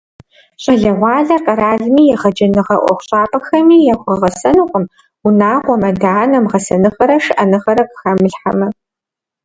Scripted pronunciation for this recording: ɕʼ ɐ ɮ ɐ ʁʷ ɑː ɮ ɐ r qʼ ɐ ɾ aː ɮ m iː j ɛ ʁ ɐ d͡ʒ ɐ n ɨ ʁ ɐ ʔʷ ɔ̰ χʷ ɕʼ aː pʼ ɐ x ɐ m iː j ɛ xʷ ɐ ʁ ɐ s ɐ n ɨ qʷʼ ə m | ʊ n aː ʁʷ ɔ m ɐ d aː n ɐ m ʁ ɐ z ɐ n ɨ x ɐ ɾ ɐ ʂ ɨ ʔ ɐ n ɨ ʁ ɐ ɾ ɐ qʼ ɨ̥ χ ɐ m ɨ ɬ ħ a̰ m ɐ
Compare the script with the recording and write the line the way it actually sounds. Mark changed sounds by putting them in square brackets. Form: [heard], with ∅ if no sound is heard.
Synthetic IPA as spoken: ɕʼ ɐ ɮ ɐ ʁʷ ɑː ɮ ɐ r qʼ ɐ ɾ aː ɮ m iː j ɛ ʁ ɐ d͡ʒ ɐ n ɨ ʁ ɐ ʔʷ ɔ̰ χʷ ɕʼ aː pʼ ɐ x ɐ m iː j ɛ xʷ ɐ ʁ ɐ s ɐ n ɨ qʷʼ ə m | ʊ n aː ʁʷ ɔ m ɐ d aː n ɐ m ʁ ɐ [s] ɐ n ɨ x ɐ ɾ ɐ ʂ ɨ ʔ ɐ n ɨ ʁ ɐ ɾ ɐ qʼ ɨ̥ [x] ɐ m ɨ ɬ ħ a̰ m ɐ